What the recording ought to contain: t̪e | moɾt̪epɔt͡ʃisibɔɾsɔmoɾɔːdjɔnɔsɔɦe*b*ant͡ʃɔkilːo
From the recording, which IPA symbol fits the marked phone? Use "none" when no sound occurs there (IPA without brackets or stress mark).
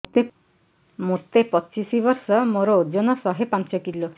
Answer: p